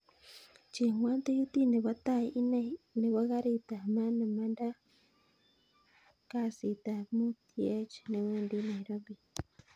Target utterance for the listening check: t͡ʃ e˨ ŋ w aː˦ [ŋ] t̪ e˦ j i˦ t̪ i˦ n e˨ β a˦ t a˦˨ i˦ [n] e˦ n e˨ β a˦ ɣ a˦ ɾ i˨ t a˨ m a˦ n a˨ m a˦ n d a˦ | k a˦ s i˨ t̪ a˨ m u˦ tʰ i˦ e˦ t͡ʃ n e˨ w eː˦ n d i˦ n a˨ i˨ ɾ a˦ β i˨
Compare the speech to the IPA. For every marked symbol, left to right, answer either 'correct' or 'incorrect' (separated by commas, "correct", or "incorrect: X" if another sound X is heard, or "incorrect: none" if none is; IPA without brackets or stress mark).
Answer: incorrect: n, correct